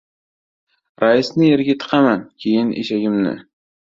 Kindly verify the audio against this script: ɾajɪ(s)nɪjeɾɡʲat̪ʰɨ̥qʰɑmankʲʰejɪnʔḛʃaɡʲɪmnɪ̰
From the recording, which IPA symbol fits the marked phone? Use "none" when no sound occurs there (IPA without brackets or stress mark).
s